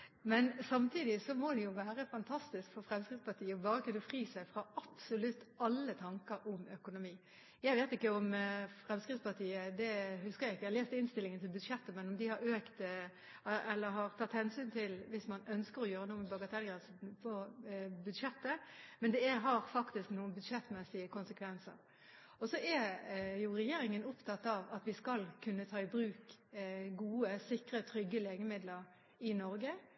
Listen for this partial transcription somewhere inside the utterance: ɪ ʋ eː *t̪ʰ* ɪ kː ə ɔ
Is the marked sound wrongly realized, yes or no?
yes